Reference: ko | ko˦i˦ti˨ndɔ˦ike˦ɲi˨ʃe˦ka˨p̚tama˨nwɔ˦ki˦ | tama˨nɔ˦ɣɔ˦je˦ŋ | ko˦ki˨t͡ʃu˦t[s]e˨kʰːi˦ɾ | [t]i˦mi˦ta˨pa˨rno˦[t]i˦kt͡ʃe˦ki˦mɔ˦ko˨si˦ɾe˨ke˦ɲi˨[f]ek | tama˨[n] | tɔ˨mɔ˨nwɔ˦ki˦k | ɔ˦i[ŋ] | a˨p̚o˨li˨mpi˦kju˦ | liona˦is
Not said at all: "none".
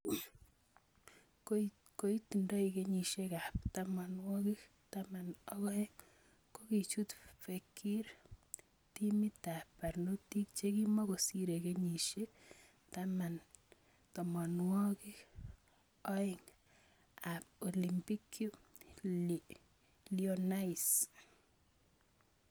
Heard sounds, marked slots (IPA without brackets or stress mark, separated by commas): f, t, t, ʃ, n, ŋ